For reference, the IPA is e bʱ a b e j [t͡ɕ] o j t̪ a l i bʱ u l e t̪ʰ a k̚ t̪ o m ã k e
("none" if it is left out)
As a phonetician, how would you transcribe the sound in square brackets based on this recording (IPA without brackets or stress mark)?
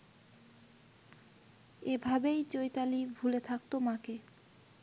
t͡ɕ